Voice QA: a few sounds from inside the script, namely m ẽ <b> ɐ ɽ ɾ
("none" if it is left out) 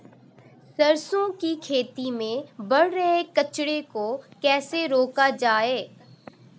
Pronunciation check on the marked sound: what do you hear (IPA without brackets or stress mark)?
b